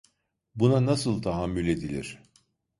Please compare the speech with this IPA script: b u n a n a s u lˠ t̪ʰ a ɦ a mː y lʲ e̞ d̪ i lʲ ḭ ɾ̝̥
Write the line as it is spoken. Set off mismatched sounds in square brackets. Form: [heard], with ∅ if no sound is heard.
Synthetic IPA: b u n a n a s [ɯ] lˠ t̪ʰ a ɦ a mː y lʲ e̞ d̪ i lʲ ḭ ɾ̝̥